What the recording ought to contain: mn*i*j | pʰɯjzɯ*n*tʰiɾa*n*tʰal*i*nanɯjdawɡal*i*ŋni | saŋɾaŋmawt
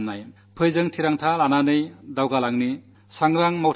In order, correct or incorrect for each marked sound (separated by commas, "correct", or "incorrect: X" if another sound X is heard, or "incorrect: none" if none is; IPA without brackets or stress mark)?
incorrect: a, incorrect: ŋ, incorrect: ŋ, incorrect: a, incorrect: a